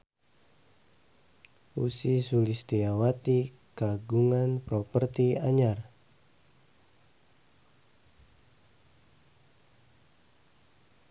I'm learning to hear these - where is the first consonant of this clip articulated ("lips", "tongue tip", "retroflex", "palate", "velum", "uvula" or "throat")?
tongue tip